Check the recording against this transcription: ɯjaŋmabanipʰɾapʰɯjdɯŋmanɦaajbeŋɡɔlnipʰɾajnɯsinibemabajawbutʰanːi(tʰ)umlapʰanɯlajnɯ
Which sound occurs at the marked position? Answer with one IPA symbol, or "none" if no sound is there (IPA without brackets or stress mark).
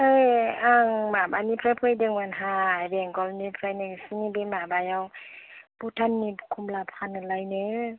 kʰ